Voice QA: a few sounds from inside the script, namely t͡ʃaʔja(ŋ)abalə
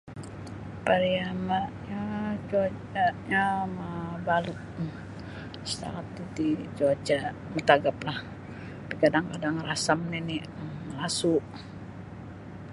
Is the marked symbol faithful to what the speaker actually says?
no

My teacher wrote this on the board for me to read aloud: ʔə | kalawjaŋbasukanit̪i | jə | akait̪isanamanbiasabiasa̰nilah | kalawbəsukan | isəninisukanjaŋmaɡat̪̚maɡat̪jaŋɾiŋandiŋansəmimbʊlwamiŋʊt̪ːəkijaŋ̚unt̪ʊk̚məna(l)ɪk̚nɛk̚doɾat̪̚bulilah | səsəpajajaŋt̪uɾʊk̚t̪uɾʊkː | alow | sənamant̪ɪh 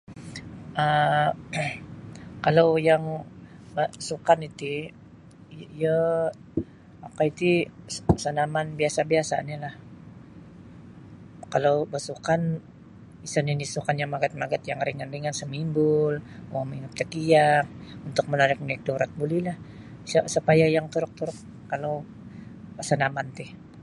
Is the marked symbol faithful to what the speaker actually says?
no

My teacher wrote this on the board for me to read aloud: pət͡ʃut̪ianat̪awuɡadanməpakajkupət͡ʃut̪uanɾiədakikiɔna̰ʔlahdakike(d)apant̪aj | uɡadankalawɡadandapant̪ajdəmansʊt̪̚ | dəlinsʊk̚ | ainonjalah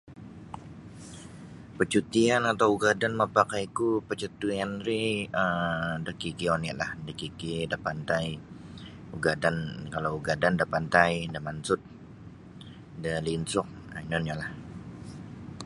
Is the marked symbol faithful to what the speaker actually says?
yes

